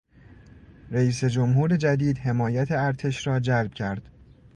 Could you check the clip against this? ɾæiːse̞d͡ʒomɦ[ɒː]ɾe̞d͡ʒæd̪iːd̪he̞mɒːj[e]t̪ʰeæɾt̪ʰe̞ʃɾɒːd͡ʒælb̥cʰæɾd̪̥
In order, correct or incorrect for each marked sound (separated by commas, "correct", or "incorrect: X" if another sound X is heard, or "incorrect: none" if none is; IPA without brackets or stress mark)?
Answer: incorrect: uː, incorrect: æ